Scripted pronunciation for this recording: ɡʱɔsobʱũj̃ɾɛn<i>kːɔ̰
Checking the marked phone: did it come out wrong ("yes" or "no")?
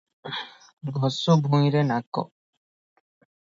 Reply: yes